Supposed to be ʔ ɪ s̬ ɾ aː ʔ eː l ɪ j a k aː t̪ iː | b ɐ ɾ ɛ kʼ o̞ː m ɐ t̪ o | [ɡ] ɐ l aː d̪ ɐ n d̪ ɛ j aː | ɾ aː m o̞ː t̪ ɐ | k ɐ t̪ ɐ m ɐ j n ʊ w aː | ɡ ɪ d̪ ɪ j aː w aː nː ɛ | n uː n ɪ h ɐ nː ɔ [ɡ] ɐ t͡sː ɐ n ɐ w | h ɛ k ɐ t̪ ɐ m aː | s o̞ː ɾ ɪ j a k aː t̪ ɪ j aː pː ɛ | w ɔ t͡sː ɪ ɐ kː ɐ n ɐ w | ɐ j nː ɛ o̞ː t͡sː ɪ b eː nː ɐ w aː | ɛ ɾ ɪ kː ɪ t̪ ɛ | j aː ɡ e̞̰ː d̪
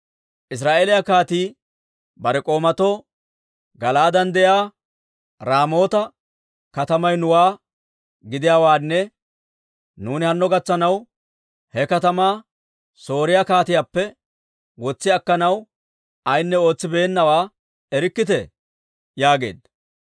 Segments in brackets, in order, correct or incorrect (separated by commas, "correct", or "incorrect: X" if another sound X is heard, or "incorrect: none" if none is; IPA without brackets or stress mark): correct, correct